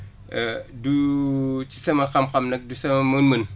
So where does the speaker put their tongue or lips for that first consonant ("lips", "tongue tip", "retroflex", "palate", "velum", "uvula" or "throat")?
tongue tip